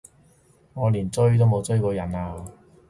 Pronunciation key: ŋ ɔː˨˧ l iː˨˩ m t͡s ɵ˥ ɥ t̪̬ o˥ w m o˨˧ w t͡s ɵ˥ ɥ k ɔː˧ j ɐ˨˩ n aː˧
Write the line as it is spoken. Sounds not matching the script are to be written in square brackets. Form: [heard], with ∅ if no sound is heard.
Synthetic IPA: ŋ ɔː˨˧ l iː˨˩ [n] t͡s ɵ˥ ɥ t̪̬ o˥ w m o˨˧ w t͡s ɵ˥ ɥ k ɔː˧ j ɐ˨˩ n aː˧